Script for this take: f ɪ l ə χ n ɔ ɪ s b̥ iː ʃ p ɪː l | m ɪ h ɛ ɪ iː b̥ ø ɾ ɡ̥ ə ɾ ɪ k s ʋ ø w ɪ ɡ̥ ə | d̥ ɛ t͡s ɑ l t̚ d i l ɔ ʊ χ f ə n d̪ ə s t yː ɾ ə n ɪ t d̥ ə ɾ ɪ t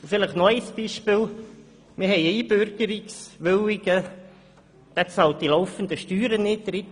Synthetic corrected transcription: f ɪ l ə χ n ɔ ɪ s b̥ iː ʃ p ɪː l | m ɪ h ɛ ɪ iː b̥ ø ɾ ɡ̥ ə ɾ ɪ k s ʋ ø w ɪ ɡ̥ ə | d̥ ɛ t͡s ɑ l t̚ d i l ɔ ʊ f ə n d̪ ə ʃ t yː ɾ ə n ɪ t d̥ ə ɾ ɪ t

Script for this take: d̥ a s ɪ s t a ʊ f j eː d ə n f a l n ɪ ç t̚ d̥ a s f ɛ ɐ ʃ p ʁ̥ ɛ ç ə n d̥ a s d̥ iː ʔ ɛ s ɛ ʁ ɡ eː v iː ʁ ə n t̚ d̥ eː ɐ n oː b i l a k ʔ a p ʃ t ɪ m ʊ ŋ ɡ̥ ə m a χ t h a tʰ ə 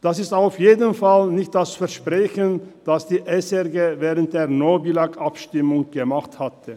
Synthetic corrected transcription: d̥ a s ɪ s t a ʊ f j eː d ə n f a l n ɪ ç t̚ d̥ a s f ɛ ɐ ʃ p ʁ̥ ɛ ç ə n d̥ a s d̥ iː ʔ ɛ s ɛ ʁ ɡ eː v ɛː ʁ ə n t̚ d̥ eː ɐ n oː b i l a k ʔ a p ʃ t ɪ m ʊ ŋ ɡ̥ ə m a χ t h a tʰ ə

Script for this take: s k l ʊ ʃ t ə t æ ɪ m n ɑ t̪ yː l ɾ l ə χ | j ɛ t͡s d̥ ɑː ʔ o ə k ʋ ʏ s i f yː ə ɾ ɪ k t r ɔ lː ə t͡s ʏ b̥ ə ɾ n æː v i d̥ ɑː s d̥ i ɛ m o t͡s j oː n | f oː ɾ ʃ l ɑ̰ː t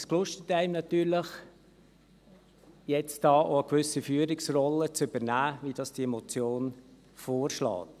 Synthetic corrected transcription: s k l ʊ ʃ t ə t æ ɪ m n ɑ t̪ yː ɾ l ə χ | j ɛ t͡s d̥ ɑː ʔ o ə k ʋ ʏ s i f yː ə ɾ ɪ k s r ɔ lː ə t͡s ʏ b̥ ə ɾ n æː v i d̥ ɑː s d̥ i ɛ m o t͡s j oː n | f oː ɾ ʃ l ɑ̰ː t

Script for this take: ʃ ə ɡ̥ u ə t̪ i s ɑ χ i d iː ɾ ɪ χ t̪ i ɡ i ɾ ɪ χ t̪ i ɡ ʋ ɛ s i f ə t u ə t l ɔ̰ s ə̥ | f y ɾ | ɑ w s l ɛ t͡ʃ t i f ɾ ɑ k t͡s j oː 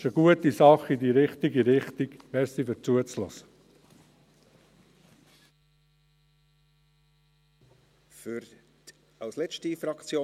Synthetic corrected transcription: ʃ ə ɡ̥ u ə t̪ i s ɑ χ i d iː ɾ ɪ χ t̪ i ɡ i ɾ ɪ χ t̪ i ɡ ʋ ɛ s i f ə t͡s u ə t͡s l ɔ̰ s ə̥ | f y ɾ | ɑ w s l ɛ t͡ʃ t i f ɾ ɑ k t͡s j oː

